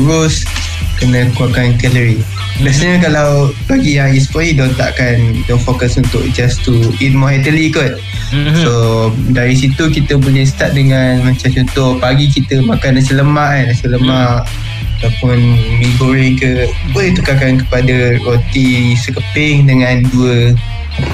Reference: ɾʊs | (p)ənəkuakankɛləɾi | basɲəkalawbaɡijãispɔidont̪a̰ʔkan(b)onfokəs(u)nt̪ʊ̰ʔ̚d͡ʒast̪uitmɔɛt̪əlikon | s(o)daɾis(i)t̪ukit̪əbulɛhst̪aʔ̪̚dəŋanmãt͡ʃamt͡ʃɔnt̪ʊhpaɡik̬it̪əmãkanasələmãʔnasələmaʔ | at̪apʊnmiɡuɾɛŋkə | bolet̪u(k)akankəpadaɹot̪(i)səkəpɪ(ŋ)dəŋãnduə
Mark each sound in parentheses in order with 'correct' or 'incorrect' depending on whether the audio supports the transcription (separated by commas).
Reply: incorrect, incorrect, correct, correct, correct, correct, correct, correct